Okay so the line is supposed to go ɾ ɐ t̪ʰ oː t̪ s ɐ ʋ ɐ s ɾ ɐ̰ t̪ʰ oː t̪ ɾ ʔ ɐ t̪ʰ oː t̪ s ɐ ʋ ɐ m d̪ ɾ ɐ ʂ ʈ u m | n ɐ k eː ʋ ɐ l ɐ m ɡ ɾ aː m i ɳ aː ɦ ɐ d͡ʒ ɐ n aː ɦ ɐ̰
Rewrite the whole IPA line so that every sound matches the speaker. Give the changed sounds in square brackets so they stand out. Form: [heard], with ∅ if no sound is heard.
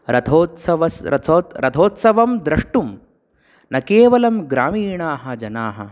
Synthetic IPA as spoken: ɾ ɐ t̪ʰ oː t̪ s ɐ ʋ ɐ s ɾ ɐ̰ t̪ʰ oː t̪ ɾ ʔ ɐ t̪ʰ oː t̪ s ɐ ʋ ɐ m d̪ ɾ ɐ ʂ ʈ u m | n ɐ k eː ʋ ɐ l ɐ m ɡ ɾ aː m [iː] ɳ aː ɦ ɐ d͡ʒ ɐ n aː ɦ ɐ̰